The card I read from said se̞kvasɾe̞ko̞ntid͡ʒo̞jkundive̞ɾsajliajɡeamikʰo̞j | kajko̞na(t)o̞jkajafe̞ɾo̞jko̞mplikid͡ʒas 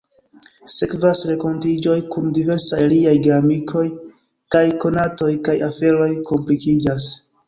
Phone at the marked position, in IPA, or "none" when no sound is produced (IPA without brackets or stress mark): t